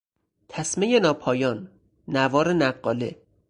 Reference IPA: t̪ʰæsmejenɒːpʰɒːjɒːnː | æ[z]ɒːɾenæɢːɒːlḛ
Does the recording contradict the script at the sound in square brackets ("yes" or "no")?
yes